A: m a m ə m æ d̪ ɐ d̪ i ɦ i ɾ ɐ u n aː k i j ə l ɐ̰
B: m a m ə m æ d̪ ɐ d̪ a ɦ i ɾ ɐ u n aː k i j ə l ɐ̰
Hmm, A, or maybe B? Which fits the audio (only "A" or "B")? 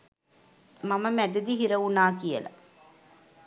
A